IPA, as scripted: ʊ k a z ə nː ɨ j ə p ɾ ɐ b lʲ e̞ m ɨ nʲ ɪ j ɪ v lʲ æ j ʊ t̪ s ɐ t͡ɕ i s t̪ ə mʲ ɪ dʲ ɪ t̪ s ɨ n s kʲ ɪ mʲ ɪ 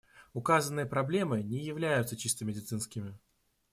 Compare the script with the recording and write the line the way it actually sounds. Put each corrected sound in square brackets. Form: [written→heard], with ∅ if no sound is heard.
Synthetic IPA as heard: ʊ k a z ə nː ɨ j ə p ɾ ɐ b lʲ e̞ m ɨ nʲ ɪ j ɪ v lʲ æ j ʊ t̪ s [ɐ→ə] t͡ɕ i s t̪ ə mʲ ɪ dʲ ɪ t̪ s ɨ n s kʲ ɪ mʲ ɪ